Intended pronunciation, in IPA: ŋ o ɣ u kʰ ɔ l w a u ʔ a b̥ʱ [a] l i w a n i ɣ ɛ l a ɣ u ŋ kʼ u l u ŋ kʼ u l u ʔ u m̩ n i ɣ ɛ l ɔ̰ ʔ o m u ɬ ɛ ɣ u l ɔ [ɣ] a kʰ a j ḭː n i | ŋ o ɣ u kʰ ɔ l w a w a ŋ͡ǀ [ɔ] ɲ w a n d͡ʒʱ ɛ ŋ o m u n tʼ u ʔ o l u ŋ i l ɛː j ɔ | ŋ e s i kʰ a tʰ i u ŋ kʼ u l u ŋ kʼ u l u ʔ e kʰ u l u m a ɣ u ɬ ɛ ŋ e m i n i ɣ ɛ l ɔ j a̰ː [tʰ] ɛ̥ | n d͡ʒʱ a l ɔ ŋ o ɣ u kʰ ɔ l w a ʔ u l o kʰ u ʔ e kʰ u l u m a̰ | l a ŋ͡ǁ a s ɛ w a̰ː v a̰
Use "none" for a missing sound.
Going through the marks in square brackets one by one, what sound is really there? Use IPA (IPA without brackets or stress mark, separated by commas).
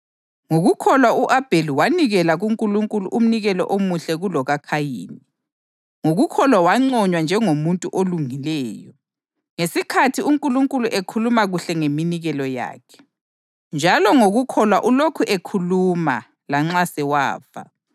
e, ɣ, ɔ, kʰ